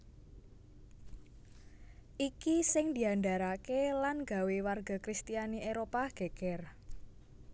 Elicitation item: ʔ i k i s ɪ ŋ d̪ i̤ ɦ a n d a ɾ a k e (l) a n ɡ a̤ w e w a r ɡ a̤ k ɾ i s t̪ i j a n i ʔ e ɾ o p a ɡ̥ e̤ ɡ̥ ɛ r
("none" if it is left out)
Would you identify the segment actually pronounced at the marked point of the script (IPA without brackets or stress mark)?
l